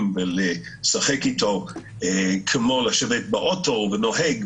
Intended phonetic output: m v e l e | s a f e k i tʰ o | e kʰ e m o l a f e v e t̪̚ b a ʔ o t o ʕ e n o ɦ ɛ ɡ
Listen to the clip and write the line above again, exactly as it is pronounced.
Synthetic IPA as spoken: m v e l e | s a χ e k i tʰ o | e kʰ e m o l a ʃ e v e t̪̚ b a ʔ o t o v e n o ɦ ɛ ɡ